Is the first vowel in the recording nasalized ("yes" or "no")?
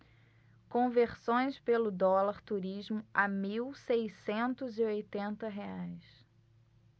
yes